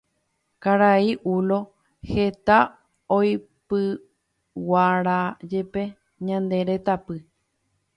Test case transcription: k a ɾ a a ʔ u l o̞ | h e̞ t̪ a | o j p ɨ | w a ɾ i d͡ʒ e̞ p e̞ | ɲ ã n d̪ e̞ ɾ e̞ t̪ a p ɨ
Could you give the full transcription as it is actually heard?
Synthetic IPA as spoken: k a ɾ a i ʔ u l o̞ | h e̞ t̪ a | o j p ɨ | w a ɾ a d͡ʒ e̞ p e̞ | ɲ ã n d̪ e̞ ɾ e̞ t̪ a p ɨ